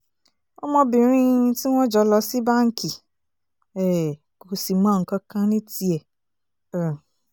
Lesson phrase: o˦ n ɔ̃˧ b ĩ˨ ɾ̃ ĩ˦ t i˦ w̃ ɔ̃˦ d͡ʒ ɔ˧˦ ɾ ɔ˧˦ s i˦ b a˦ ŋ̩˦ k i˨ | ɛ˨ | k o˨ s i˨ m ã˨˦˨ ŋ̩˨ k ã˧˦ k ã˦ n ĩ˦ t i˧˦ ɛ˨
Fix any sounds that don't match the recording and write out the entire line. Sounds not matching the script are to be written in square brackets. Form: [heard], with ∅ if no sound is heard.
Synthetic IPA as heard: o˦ [m] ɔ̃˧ b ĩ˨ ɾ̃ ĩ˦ t i˦ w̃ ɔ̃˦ d͡ʒ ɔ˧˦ [l] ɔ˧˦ s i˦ b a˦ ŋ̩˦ k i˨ | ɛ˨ | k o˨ s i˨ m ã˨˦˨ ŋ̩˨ k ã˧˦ k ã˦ n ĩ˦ t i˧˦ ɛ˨